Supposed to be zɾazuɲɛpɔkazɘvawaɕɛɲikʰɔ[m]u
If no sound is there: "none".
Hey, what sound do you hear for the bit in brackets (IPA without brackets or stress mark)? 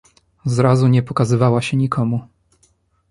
m